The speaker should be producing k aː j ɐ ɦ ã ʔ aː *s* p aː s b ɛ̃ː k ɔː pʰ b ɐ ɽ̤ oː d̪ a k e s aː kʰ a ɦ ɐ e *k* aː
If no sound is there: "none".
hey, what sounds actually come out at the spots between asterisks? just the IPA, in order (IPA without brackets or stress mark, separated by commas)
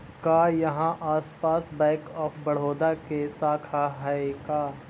s, k